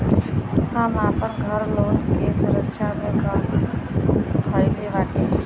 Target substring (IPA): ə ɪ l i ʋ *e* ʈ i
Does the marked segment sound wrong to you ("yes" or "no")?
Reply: yes